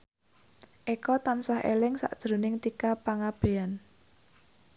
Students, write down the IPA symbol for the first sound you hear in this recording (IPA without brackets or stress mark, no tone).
ʔ